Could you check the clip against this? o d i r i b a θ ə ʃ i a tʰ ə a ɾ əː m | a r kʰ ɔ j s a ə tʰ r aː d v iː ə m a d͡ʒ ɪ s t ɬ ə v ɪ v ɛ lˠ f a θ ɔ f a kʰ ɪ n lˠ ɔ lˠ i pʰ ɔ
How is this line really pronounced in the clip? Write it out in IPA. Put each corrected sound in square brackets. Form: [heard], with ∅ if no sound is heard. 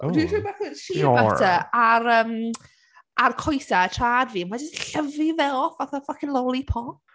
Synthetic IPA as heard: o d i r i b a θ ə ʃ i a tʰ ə a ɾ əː m | a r kʰ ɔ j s a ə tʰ r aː d v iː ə m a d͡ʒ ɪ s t ɬ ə v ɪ v ɛ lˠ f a θ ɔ f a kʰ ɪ n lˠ ɔ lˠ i pʰ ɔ

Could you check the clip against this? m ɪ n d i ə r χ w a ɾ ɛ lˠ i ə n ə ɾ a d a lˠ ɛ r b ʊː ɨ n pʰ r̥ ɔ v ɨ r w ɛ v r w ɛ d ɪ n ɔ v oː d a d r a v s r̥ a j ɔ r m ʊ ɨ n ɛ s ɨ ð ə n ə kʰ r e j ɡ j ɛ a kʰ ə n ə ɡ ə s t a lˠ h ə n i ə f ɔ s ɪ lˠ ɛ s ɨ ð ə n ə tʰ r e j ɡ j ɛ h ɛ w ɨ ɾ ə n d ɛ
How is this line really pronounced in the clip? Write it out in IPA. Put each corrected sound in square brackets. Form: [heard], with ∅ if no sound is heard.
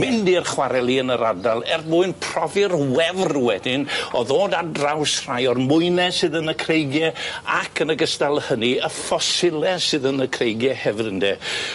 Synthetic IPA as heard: m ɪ n d i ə r χ w a ɾ ɛ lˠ i ə n ə ɾ a d a lˠ ɛ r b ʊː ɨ n pʰ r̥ ɔ v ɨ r w ɛ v r w ɛ d ɪ n ɔ [ð] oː d a d r a [w] s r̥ a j ɔ r m ʊ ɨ n ɛ s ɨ ð ə n ə kʰ r e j ɡ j ɛ a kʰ ə n ə ɡ ə s t a lˠ h ə n i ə f ɔ s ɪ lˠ ɛ s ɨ ð ə n ə [kʰ] r e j ɡ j ɛ h ɛ [v] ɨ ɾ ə n d ɛ

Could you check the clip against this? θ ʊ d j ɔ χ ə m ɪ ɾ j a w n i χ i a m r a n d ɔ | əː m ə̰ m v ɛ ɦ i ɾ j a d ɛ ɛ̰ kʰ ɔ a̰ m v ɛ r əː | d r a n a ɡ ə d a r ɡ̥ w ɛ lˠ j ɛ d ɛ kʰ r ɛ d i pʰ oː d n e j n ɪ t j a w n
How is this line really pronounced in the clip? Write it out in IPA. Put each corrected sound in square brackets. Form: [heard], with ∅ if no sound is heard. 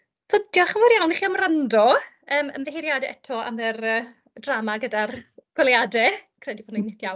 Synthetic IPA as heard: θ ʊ d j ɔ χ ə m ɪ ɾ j a w n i χ i a m r a n d ɔ | əː m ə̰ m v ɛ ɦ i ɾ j a d ɛ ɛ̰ [tʰ] ɔ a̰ m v ɛ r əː | d r a [m] a ɡ ə d a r ɡ̥ w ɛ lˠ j [a] d ɛ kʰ r ɛ d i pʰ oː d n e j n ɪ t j a w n

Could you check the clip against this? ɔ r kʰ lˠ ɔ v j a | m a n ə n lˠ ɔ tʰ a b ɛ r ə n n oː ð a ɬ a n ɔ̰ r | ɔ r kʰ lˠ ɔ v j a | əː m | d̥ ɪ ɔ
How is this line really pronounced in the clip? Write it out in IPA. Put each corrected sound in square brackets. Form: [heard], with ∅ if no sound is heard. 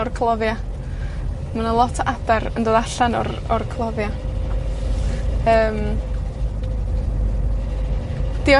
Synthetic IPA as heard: ɔ r kʰ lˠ ɔ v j a | m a n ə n lˠ ɔ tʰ a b ɛ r ə n [d] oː ð a ɬ a n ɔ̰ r | ɔ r kʰ lˠ ɔ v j a | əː m | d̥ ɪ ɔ

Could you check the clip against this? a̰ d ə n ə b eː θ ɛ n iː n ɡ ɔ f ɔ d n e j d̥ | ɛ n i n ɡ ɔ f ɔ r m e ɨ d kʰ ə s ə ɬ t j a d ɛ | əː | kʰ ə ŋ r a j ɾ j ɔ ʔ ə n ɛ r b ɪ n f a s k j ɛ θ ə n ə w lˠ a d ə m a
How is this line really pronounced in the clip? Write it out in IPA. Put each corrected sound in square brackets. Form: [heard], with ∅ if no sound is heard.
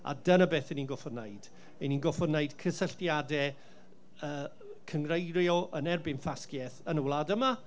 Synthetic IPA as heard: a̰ d ə n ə b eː θ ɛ n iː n ɡ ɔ f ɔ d n e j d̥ | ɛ n i n ɡ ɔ f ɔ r [n] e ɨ d kʰ ə s ə ɬ t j a d ɛ | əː | kʰ ə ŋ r [e] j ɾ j ɔ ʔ ə n ɛ r b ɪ n f a s k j ɛ θ ə n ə w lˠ a d ə m a

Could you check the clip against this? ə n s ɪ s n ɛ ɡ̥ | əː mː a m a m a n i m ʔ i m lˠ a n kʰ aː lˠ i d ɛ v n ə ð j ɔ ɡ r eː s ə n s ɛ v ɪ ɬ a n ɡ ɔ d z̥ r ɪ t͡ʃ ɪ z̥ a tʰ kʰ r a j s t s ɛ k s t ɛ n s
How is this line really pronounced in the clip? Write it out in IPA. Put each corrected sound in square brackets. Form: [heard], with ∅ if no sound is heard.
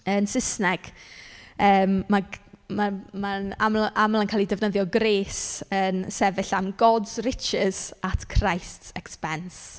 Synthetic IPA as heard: ə n s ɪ s n ɛ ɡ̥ | əː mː a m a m a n [a] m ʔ [a] m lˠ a n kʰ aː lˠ i d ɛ v n ə ð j ɔ ɡ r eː s ə n s ɛ v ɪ ɬ a [m] ɡ ɔ d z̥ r ɪ t͡ʃ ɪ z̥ a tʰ kʰ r a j s t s ɛ k s [p] ɛ n s

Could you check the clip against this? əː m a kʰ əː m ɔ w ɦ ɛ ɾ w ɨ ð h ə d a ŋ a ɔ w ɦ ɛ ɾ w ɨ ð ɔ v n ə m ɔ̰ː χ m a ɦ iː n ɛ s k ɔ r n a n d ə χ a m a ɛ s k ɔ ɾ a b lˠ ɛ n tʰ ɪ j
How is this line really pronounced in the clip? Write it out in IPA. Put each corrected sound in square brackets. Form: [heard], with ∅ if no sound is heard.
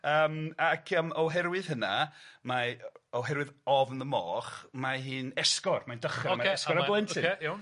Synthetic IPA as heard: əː m a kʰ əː m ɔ w ɦ ɛ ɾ w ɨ ð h ə [n] a [m] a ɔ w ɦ ɛ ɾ w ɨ ð ɔ v n ə m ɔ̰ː χ m a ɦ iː n ɛ s k ɔ r [m] a n d ə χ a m a ɛ s k ɔ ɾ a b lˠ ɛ n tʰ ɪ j

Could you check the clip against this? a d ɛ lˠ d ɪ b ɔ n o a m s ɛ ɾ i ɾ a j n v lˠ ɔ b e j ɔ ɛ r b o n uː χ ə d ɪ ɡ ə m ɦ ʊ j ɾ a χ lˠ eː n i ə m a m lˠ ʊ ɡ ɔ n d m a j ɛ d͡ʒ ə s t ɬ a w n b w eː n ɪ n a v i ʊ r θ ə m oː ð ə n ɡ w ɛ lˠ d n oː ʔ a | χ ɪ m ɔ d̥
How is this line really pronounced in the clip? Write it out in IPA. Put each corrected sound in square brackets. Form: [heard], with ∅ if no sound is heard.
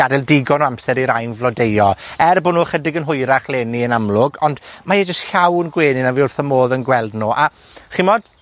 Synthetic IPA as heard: a d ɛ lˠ d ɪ [ɡ] ɔ n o a m s ɛ ɾ i ɾ a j n v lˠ ɔ [d] e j ɔ ɛ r b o n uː χ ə d ɪ ɡ ə [n] ɦ ʊ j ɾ a χ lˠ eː n i ə [n] a m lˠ ʊ ɡ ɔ n d m a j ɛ d͡ʒ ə s t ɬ a w n [ɡ] w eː n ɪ n a v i ʊ r θ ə m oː ð ə n ɡ w ɛ lˠ d n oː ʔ a | χ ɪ m ɔ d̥

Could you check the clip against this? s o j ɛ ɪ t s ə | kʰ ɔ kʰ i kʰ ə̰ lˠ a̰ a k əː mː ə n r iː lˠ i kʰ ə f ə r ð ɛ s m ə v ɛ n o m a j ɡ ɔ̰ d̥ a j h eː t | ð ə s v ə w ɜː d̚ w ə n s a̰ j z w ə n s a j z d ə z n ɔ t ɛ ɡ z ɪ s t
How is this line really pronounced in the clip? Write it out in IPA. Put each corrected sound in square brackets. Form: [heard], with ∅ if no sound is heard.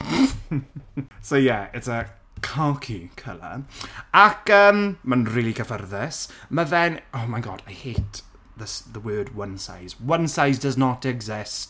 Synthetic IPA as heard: s o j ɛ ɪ t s ə | kʰ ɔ kʰ i kʰ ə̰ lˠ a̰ a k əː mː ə n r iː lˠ i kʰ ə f ə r ð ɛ s m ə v ɛ n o m a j ɡ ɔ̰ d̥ a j h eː t | ð ə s [ð] ə w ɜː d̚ w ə n s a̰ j z w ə n s a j z d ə z n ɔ t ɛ ɡ z ɪ s t

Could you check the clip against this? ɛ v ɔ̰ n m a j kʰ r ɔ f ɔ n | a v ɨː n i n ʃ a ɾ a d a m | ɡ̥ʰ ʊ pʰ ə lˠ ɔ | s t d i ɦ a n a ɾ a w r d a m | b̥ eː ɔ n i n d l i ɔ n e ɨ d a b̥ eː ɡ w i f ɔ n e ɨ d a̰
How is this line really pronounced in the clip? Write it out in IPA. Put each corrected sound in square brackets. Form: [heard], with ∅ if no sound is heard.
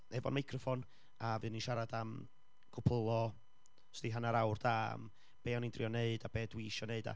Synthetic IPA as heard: ɛ v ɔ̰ n m a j kʰ r ɔ f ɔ n | a v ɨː n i n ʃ a ɾ a d a m | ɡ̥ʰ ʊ pʰ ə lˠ ɔ | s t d i ɦ a n a ɾ a w r d a m | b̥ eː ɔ n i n d [r] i ɔ n e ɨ d a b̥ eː [d] w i [ʃ] ɔ n e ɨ d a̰

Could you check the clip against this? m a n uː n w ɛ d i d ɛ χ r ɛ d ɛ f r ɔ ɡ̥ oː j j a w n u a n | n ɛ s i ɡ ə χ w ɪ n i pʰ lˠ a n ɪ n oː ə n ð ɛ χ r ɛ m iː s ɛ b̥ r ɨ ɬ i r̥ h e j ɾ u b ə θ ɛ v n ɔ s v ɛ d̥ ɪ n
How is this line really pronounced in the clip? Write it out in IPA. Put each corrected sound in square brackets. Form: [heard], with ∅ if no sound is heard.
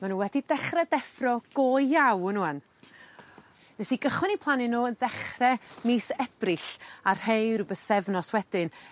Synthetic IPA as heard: m a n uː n w ɛ d i d ɛ χ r ɛ d ɛ f r ɔ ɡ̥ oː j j a w n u a n | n ɛ s i ɡ ə χ w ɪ n i pʰ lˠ a n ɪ n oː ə n ð ɛ χ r ɛ m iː s ɛ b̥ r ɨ ɬ [a] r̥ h e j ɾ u b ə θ ɛ v n ɔ s [w] ɛ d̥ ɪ n

